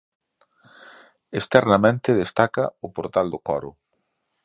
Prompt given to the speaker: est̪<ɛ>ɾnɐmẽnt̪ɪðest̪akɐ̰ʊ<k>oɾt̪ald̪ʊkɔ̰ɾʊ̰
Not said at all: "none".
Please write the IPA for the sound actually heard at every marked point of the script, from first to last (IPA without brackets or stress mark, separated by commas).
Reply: ɛ, p